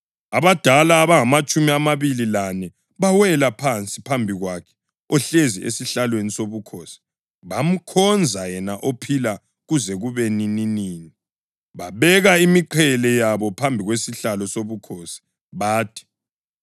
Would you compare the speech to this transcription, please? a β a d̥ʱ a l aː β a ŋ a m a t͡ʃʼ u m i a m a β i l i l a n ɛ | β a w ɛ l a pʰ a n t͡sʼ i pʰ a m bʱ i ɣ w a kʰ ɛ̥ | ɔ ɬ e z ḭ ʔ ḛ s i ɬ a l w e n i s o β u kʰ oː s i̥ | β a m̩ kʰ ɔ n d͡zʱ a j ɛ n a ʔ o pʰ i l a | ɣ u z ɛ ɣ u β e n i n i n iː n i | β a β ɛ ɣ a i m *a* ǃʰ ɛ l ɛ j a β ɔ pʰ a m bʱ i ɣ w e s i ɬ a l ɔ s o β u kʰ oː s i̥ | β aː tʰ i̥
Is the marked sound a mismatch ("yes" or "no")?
yes